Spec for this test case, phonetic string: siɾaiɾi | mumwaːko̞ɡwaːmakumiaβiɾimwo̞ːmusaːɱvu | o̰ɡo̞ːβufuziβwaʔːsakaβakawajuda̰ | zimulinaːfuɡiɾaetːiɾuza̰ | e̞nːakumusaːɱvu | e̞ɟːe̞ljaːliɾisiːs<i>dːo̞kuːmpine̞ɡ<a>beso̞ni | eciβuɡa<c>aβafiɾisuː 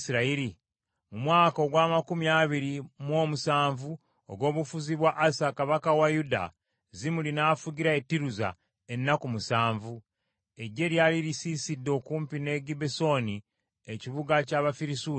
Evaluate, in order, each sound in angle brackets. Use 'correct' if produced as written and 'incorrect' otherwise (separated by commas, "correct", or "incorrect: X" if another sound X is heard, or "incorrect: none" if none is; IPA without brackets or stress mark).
correct, incorrect: i, correct